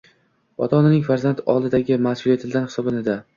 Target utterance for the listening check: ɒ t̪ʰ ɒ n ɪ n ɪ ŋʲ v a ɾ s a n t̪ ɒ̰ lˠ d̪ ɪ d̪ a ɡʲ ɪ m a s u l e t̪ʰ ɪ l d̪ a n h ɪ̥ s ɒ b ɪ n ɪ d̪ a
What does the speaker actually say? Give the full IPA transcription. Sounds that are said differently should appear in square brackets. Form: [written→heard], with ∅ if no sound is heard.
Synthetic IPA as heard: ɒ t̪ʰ ɒ n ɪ n ɪ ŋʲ [v→f] a ɾ [s→z] a n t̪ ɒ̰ lˠ d̪ ɪ d̪ a ɡʲ ɪ m a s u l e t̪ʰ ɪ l d̪ a n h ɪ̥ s ɒ b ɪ n ɪ d̪ a